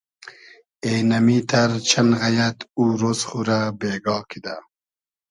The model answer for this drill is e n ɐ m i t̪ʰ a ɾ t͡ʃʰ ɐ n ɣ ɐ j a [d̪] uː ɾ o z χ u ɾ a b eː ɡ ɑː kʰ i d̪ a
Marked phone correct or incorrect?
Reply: incorrect